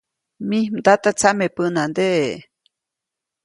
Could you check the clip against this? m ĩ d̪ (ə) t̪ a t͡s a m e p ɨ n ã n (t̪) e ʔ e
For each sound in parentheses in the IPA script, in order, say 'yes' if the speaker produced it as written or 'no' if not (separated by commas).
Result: no, no